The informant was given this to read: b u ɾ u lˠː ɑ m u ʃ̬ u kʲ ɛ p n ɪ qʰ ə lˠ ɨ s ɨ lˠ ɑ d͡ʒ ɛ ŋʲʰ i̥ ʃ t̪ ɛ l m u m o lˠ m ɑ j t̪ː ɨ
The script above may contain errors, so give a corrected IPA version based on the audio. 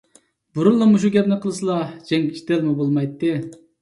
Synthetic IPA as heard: b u ɾ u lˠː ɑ m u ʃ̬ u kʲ ɛ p n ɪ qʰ ə lˠ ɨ s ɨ lˠ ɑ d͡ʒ ɛ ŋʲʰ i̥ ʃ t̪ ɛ l m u b o lˠ m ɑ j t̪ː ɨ